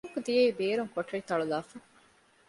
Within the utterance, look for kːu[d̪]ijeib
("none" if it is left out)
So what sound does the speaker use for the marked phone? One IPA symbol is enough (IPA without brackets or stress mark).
d̪